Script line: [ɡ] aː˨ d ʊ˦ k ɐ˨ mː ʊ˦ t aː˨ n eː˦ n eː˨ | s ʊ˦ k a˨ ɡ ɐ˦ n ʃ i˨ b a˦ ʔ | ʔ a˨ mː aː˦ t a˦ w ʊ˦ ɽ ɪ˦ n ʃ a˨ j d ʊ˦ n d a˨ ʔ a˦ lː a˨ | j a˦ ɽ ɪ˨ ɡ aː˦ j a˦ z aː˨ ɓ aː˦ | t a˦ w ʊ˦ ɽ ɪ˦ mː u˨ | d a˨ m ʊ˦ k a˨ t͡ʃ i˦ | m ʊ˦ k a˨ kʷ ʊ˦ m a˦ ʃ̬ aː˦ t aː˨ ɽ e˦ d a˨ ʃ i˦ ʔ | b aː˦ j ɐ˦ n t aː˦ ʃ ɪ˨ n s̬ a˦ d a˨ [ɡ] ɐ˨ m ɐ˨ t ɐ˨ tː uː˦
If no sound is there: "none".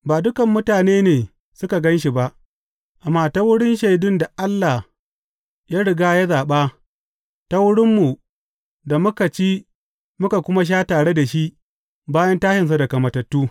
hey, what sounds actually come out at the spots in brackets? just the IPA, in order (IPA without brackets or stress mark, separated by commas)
b, k